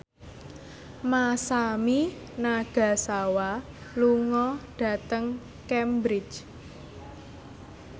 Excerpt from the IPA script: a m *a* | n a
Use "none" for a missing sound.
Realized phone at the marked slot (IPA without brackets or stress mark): i